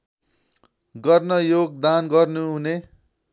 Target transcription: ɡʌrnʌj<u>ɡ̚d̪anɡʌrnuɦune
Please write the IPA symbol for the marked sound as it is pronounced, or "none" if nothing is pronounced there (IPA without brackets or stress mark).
o